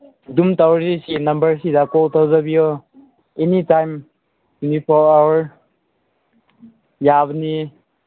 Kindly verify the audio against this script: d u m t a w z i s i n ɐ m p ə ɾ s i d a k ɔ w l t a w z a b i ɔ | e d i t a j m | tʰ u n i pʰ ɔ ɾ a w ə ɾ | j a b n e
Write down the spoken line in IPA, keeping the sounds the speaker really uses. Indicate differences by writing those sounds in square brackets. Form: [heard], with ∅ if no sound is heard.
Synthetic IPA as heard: d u m t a w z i s i n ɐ m [b] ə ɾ s i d a k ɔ [∅] l t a w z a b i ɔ | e [n] i t a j m | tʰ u n i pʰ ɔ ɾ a w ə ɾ | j a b n [i]